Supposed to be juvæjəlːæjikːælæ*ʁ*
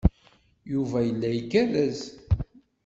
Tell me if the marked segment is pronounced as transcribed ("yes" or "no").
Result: no